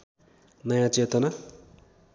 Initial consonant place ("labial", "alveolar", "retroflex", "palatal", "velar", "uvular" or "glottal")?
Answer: alveolar